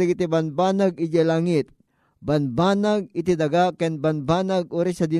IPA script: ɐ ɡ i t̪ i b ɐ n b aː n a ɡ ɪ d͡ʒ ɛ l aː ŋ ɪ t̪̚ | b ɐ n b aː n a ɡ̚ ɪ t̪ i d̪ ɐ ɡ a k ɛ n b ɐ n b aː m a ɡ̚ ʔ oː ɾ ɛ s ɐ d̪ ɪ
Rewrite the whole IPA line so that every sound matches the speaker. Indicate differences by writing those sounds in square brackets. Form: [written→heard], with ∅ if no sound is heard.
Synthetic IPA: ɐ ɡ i t̪ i b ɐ n b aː n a ɡ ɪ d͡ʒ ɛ l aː ŋ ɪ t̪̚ | b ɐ n b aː n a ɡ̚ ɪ t̪ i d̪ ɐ ɡ a k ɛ n b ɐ n b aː [m→n] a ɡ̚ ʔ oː ɾ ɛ s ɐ d̪ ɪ